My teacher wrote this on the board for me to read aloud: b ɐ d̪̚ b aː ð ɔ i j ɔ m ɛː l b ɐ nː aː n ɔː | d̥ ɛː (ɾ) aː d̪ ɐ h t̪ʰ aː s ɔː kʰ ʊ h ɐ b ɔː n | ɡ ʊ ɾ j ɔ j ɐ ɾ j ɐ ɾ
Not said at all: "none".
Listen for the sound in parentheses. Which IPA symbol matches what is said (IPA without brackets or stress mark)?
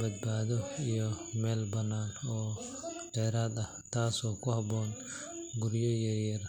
ɾ